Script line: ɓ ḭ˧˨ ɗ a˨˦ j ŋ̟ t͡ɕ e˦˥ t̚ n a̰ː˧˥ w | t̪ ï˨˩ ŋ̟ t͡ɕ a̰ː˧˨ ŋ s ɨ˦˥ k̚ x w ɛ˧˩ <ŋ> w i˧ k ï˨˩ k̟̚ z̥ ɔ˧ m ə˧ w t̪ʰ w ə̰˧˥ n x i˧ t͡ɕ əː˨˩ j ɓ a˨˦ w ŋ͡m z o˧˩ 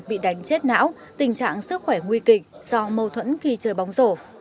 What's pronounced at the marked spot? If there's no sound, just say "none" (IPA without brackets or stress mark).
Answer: ŋ